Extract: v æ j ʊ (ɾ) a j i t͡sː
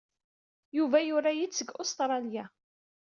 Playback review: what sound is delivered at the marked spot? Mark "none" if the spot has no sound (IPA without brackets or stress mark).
ɾ